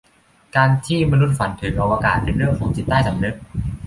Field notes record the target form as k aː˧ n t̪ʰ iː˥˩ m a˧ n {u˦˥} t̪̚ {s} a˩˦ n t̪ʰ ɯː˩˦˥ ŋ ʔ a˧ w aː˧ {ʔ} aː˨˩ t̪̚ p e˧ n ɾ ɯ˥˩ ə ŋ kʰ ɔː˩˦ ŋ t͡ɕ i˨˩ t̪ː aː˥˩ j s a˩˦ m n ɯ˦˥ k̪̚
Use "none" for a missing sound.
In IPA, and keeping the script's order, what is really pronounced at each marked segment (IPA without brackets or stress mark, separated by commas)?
u˦˥, f, k